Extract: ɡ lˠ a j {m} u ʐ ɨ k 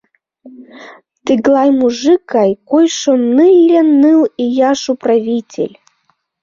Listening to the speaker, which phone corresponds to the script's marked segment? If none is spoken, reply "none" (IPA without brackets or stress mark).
m